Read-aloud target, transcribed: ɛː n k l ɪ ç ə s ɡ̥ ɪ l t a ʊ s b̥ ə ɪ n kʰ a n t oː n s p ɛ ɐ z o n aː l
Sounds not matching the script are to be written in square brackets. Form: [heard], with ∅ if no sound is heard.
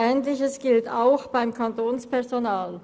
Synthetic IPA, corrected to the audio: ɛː n [t] l ɪ ç ə s ɡ̥ ɪ l t a ʊ [x] b̥ [a] ɪ [m] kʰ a n t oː n s p ɛ ɐ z o n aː l

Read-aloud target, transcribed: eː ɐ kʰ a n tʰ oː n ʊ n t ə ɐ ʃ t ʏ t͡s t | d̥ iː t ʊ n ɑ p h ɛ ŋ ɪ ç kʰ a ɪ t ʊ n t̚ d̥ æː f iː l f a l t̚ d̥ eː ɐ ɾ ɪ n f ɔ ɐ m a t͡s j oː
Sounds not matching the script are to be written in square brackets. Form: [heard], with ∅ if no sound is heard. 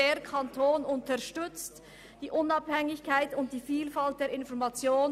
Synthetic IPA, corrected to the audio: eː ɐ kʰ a n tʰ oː n ʊ n t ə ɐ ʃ t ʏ t͡s t | d̥ iː [ʔ] ʊ n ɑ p h ɛ ŋ ɪ ç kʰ a ɪ t ʊ n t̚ d̥ [iː] f iː l f a l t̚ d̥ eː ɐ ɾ ɪ n f ɔ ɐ m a t͡s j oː

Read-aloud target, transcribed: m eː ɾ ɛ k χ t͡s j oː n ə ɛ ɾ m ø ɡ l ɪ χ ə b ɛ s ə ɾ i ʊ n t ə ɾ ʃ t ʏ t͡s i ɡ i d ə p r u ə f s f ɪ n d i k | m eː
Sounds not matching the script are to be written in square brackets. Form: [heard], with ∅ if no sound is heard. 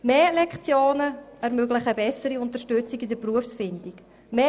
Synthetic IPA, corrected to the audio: m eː [l] ɛ k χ t͡s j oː n ə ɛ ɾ m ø ɡ l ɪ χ ə b ɛ s ə ɾ i ʊ n t ə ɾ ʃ t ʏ t͡s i ɡ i d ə p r u ə f s f ɪ n d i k | m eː

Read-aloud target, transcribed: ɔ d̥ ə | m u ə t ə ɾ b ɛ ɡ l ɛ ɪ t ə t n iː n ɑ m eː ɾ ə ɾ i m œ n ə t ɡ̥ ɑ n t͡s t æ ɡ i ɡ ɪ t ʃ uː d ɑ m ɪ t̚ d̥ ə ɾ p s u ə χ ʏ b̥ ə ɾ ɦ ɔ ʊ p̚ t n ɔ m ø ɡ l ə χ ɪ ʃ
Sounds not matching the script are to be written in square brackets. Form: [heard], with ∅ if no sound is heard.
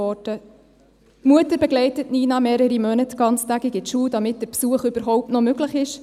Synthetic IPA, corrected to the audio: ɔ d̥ ə | m u ə t ə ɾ b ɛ ɡ l ɛ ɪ t ə t n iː n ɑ m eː ɾ ə ɾ i m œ n ə t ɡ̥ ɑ n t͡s t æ ɡ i ɡ ɪ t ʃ uː d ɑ m ɪ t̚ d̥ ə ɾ p s u ə χ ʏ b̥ ə ɾ ɦ ɔ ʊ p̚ t n ɔ m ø ɡ l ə χ ɪ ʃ

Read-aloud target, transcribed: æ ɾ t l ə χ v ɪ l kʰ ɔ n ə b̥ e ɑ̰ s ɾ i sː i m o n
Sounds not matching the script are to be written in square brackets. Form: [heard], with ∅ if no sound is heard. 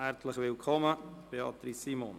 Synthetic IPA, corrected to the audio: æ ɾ t l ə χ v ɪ l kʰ ɔ [m] ə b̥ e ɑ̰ [t] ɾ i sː i m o n

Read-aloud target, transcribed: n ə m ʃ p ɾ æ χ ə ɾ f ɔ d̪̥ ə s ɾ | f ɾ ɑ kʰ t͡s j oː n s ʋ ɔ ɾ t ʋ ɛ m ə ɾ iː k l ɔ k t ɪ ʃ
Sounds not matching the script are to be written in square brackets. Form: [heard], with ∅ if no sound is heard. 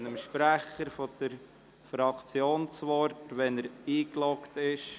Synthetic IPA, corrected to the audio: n ə m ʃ p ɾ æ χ ə ɾ f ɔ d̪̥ ə [∅] ɾ | f ɾ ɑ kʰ t͡s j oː n s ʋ ɔ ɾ t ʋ ɛ [n] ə ɾ iː k l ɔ k t ɪ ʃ

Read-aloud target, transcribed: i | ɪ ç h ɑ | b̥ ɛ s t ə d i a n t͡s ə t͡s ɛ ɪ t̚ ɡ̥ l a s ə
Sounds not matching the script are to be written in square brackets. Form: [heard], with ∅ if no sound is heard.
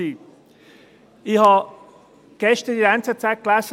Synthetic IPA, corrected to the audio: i | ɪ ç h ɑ | [ɡ̥] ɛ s t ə d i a n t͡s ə t͡s [a] ɪ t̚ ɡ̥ l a s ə

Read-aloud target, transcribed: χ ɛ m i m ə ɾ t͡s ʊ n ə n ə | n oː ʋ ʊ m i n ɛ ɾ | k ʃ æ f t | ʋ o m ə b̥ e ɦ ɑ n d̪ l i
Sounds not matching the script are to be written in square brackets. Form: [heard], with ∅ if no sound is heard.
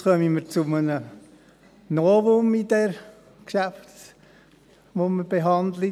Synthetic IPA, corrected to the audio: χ [œ] m i m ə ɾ t͡s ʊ [m] ə n ə | n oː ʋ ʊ m i [d] ɛ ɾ | k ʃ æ f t | ʋ o m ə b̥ e ɦ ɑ n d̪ l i

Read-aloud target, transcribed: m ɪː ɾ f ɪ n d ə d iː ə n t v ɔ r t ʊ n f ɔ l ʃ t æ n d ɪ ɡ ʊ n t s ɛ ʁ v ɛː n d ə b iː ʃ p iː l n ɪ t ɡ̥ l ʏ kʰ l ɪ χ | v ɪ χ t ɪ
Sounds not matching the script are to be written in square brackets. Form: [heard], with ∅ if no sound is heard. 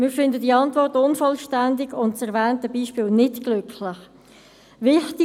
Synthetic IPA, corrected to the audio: m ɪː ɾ f ɪ n d ə d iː [ɑ] n t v ɔ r t ʊ n f ɔ l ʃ t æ n d ɪ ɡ ʊ n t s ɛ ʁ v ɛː n [t] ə b iː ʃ p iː l n ɪ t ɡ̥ l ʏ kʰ l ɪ χ | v ɪ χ t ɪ

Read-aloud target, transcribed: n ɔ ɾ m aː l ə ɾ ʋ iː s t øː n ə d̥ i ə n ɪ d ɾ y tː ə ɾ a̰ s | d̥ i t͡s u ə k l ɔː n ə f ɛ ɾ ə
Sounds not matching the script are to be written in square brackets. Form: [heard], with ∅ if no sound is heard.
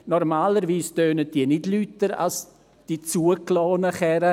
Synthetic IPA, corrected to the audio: n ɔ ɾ m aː l ə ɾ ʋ iː s t øː n ə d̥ i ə n ɪ d [l] y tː ə ɾ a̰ s | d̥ i t͡s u ə k l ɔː n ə [χ] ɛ ɾ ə

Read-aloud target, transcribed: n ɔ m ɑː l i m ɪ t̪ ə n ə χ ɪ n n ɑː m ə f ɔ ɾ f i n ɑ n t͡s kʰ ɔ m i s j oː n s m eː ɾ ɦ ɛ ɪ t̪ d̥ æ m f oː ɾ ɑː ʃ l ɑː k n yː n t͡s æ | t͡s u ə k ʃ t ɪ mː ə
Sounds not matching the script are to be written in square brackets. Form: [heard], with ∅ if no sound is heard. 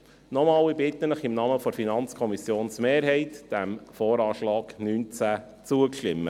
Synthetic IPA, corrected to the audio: n ɔ m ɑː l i [b] ɪ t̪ ə n ə χ ɪ [m] n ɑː m ə f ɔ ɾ f i n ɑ n t͡s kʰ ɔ m i s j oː n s m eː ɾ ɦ ɛ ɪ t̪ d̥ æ m f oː ɾ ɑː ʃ l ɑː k n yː n t͡s æ | t͡s u ə k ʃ t ɪ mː ə

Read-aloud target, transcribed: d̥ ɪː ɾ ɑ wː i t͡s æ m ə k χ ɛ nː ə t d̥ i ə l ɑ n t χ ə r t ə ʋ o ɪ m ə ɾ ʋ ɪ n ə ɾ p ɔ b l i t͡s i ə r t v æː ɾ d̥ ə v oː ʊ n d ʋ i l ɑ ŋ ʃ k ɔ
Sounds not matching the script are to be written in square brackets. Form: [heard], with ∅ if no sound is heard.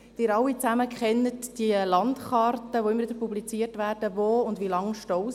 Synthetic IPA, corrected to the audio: d̥ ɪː ɾ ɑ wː i t͡s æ m ə k χ ɛ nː ə t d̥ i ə l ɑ n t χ [ɑ] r t ə ʋ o ɪ m ə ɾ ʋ ɪ [d] ə ɾ p [u] b l i t͡s i ə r t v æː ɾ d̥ ə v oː ʊ n d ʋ i l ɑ ŋ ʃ [t] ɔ

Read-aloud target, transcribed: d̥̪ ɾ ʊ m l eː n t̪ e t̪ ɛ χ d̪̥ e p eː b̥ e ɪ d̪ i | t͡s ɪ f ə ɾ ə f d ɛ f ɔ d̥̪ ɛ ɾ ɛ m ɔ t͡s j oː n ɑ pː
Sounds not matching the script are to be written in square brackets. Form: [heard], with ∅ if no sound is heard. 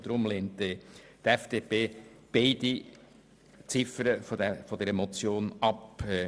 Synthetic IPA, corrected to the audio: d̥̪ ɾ ʊ m l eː n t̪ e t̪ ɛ [f] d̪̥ e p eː b̥ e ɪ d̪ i | t͡s ɪ f ə ɾ ə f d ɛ f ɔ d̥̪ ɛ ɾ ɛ m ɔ t͡s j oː n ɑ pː

